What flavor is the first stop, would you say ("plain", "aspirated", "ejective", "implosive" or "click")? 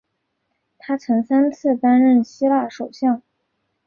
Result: aspirated